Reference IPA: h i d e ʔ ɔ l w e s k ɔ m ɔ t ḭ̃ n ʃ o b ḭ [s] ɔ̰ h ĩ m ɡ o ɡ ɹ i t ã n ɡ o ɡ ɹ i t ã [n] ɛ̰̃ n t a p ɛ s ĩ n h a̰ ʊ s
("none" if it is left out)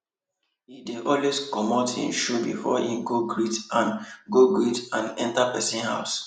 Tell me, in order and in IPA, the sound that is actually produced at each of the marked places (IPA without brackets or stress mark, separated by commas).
f, n